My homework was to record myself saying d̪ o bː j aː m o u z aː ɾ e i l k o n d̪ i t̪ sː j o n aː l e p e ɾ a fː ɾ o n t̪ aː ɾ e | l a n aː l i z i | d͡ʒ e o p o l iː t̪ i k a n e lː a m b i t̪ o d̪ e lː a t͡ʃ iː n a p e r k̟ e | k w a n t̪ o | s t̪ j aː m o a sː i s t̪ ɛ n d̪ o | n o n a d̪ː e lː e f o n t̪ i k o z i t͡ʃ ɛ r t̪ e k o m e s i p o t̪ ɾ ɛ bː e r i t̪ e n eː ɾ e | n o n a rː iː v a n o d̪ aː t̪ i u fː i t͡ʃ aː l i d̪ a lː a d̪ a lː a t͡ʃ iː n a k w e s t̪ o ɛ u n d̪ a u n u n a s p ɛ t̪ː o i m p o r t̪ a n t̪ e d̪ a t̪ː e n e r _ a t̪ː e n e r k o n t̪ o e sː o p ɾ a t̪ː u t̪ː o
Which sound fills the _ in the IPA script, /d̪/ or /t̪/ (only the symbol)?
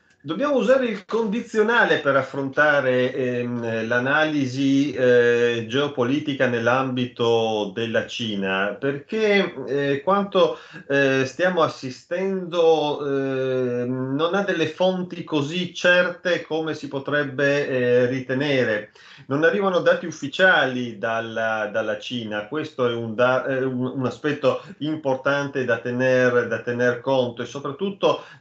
d̪